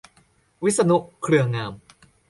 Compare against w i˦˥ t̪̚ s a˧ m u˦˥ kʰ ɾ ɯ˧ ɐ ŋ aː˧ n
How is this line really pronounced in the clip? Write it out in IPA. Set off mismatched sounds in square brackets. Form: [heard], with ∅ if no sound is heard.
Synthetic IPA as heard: w i˦˥ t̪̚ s a˧ [n] u˦˥ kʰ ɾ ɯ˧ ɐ ŋ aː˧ [m]

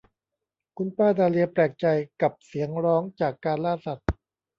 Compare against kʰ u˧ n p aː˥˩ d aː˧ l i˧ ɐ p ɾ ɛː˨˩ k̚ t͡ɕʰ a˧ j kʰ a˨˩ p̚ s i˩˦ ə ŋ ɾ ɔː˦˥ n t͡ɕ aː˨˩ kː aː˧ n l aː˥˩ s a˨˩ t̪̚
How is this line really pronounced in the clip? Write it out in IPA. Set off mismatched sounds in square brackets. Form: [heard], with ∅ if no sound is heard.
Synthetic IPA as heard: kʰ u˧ n p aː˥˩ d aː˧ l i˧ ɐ p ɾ ɛː˨˩ k̚ [t͡ɕ] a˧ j [k] a˨˩ p̚ s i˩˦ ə ŋ ɾ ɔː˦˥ [ŋ] t͡ɕ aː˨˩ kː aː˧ n l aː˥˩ s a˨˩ t̪̚

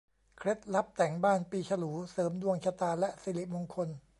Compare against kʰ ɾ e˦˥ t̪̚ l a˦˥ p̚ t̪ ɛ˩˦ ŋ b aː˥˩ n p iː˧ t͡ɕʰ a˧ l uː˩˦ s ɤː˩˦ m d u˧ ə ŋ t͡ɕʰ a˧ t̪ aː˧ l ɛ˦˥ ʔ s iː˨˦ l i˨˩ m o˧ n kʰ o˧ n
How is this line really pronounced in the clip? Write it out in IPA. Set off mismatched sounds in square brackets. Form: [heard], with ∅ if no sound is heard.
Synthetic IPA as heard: kʰ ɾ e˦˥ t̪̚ l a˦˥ p̚ t̪ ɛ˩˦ ŋ b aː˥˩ n p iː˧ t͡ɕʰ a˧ l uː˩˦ s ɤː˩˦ m d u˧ ə ŋ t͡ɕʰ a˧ t̪ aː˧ l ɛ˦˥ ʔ s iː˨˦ l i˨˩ m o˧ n kʰ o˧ n

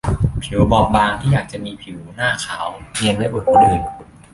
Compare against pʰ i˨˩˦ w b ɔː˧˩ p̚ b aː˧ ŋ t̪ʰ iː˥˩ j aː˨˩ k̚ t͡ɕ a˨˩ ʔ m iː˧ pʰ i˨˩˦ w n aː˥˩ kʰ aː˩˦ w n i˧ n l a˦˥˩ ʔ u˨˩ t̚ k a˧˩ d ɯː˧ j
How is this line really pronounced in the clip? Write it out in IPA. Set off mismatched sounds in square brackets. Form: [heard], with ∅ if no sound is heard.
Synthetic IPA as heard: pʰ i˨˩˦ w b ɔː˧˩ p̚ b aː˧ ŋ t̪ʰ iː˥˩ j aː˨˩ k̚ t͡ɕ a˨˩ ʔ m iː˧ pʰ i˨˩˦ w n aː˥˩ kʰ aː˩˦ w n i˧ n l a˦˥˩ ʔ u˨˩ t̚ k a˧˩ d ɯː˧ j

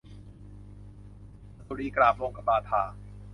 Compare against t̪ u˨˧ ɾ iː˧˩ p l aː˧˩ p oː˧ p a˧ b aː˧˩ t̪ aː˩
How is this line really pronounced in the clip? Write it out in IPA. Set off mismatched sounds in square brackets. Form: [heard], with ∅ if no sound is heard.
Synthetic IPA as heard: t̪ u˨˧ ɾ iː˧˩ [k] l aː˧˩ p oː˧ [k] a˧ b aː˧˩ [t̪ʰ] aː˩

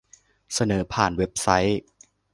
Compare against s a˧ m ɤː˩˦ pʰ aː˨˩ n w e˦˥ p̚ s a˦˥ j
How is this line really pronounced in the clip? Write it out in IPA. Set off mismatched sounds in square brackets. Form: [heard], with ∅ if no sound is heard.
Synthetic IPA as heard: s a˧ [n] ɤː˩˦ pʰ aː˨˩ n w e˦˥ p̚ s a˦˥ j

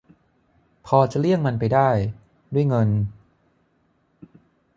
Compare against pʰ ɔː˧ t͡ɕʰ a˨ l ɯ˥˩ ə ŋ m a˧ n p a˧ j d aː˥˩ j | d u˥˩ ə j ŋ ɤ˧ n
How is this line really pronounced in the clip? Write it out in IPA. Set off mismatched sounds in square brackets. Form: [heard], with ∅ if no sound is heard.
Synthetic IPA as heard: pʰ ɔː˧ [t͡ɕ] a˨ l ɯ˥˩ ə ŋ m a˧ n p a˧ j d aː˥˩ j | d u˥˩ ə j ŋ ɤ˧ n

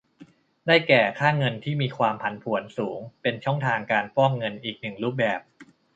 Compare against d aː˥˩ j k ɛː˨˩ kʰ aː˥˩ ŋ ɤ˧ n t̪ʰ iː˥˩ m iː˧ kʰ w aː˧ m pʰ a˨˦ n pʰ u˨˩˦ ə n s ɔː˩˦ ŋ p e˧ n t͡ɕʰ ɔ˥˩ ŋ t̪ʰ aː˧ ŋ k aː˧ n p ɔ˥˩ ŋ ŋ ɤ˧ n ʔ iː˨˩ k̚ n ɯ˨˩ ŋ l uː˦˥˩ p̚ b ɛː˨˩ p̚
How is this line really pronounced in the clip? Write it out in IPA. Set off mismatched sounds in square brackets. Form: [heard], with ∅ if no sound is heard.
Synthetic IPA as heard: d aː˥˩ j k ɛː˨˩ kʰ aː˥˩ ŋ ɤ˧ n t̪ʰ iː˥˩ m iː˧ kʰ w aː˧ m pʰ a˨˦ n pʰ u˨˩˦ ə n s [uː˩˦] ŋ p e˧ n t͡ɕʰ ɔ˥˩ ŋ t̪ʰ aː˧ ŋ k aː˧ n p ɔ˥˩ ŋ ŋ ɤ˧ n ʔ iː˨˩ k̚ n ɯ˨˩ ŋ [ɾ] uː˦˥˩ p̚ b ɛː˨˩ p̚

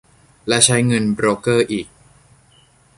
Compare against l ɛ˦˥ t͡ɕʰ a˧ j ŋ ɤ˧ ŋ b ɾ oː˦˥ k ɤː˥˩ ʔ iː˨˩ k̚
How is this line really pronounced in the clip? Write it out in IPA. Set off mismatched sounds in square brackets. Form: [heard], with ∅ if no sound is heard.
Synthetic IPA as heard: l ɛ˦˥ t͡ɕʰ [a˦˥] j ŋ ɤ˧ [n] b ɾ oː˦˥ k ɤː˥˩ ʔ iː˨˩ k̚

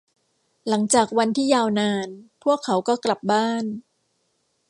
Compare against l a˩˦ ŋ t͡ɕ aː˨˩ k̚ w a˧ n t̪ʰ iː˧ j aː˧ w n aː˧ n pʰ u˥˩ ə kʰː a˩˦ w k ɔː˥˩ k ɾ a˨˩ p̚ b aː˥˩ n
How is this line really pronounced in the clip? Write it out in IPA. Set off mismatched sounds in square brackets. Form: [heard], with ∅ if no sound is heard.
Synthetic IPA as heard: l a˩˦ ŋ t͡ɕ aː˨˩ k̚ w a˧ n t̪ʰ [iː˥˩] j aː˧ w n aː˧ n pʰ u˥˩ ə kʰː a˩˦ w k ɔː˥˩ k [l] a˨˩ p̚ b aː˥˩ n

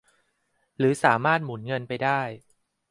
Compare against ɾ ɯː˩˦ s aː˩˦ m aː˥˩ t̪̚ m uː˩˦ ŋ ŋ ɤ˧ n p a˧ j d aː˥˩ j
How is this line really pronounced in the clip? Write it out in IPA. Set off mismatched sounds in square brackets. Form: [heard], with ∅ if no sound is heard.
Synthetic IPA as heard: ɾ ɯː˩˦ s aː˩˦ m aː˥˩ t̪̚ m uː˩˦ [n] ŋ ɤ˧ n p a˧ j d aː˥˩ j

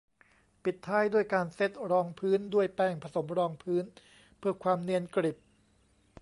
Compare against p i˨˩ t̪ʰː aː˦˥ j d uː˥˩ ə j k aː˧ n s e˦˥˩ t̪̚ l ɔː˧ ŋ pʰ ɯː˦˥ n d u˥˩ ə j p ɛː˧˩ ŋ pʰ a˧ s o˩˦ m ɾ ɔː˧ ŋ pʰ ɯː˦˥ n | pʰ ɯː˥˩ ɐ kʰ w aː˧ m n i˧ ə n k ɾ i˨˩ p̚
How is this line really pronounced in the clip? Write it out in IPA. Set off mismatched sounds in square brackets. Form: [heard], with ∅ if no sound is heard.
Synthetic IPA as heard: p i˨˩ t̪ʰː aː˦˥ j d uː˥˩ ə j k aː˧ n s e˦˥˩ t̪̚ [ɾ] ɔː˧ ŋ pʰ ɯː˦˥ n d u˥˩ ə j p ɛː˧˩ ŋ pʰ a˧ s o˩˦ m ɾ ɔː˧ ŋ pʰ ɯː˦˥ n | pʰ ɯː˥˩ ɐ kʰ w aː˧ m n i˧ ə n k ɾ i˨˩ p̚

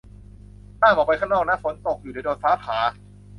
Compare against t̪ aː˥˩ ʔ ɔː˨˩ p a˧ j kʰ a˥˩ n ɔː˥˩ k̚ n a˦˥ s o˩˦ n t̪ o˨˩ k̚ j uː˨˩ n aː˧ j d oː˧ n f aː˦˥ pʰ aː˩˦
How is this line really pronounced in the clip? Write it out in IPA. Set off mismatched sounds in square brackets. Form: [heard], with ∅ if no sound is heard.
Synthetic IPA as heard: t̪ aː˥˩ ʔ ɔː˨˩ p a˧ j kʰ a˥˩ n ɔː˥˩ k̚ n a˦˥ [f] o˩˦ n t̪ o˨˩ k̚ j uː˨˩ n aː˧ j d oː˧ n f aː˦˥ pʰ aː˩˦

